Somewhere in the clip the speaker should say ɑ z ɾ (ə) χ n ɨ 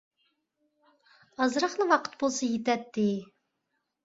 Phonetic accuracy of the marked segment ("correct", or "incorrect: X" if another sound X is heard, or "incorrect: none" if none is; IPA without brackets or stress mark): incorrect: ɑ